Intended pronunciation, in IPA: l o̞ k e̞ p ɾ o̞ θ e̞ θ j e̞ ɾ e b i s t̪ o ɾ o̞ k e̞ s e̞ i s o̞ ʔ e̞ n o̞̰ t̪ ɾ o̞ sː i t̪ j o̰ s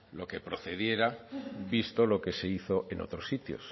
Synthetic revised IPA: l o̞ k e̞ p ɾ o̞ θ e̞ ð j e̞ ɾ a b i s t̪ o l o̞ k e̞ s e̞ i θ o̞ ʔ e̞ n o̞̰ t̪ ɾ o̞ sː i t̪ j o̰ s